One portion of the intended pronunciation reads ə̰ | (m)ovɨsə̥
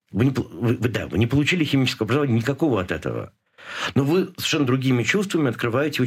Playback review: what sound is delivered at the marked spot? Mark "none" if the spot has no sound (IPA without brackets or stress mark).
n